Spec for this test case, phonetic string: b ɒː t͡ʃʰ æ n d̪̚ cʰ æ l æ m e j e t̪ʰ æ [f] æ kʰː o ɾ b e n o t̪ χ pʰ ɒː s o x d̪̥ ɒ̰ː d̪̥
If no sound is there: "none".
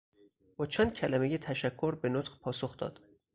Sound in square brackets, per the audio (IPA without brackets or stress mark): ʃ